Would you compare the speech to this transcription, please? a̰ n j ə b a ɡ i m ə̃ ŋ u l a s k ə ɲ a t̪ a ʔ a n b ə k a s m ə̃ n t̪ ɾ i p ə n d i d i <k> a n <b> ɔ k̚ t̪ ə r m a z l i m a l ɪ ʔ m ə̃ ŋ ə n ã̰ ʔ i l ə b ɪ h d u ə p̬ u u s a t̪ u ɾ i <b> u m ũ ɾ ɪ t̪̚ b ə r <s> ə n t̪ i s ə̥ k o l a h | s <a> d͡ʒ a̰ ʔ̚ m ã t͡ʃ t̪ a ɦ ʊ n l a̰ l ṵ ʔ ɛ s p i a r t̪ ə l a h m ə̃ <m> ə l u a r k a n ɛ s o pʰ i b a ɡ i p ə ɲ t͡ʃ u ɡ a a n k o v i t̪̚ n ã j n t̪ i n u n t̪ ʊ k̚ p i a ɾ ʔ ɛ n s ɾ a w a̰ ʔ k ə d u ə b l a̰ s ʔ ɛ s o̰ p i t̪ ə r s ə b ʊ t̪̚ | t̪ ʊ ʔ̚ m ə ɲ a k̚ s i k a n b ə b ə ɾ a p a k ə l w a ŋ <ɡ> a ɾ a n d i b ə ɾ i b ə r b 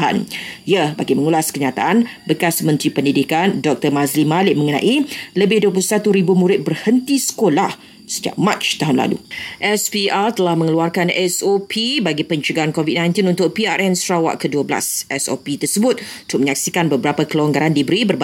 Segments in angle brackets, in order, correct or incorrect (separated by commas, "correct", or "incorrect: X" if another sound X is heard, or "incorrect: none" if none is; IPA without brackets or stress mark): correct, incorrect: d, correct, incorrect: h, incorrect: ə, incorrect: ŋ, correct